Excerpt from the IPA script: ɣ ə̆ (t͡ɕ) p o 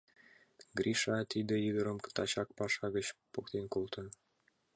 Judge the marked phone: correct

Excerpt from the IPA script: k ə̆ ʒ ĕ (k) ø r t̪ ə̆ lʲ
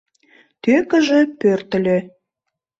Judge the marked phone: incorrect: p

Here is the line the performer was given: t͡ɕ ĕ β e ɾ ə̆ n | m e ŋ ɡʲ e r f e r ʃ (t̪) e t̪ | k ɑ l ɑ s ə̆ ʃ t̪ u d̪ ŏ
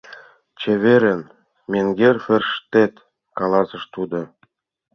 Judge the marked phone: correct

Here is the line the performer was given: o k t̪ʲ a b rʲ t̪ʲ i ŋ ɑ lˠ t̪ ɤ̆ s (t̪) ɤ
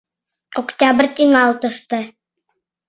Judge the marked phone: correct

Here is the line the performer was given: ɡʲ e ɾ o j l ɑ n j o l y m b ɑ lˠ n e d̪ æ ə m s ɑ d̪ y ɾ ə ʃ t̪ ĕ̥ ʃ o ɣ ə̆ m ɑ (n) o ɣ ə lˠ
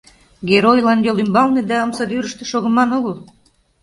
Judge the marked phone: correct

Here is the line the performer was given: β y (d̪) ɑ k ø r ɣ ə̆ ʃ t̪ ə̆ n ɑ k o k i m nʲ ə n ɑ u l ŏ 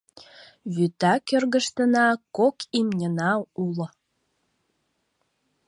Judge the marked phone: incorrect: t̪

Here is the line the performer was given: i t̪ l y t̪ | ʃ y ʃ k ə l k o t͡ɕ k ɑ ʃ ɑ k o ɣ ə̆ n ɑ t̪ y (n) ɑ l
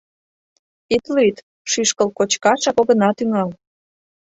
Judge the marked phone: incorrect: ŋ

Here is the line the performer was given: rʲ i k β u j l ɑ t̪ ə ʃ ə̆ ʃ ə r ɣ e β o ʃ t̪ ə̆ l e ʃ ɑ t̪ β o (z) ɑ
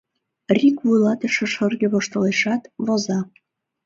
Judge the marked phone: correct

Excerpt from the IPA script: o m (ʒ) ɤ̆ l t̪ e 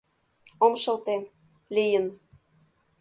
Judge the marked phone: incorrect: ʃ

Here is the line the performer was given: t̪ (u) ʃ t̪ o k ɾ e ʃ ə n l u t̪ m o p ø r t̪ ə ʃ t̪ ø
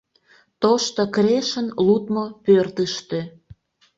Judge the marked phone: incorrect: o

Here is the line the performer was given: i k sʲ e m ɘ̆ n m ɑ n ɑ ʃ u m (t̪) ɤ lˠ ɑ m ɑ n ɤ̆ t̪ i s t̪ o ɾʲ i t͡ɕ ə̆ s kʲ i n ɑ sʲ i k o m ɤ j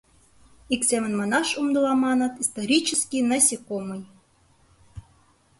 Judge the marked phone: incorrect: d̪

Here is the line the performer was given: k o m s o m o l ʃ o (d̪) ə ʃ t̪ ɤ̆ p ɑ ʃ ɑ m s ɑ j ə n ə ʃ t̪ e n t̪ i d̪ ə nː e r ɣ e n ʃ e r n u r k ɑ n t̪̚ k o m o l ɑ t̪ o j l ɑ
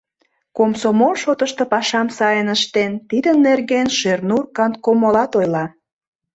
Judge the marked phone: incorrect: t̪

